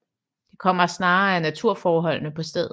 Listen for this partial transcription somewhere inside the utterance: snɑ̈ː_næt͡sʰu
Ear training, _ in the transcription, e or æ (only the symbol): æ